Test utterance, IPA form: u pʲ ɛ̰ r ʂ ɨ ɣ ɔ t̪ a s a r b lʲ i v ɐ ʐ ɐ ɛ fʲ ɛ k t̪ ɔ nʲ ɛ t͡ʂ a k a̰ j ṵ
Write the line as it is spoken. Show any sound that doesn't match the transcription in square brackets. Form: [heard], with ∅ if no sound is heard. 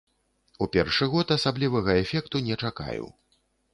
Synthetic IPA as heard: u pʲ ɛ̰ r ʂ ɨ ɣ ɔ t̪ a s a [∅] b lʲ i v ɐ [ɣ] ɐ ɛ fʲ ɛ k t̪ [u] nʲ ɛ t͡ʂ a k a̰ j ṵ